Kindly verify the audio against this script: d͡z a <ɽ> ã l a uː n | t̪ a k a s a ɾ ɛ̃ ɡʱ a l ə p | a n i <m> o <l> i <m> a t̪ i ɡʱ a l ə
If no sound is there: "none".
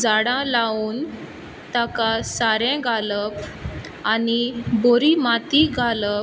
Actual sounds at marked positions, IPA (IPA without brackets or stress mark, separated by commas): ɽ, b, ɾ, m